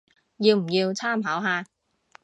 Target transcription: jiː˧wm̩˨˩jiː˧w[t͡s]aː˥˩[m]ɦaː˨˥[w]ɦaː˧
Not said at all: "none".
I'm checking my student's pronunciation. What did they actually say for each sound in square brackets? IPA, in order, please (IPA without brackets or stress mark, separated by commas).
t͡sʰ, m, w